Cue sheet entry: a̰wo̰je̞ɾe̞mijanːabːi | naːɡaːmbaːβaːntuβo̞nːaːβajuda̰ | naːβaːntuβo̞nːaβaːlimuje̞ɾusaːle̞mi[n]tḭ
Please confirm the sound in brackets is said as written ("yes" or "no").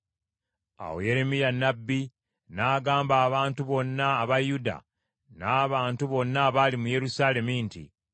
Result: yes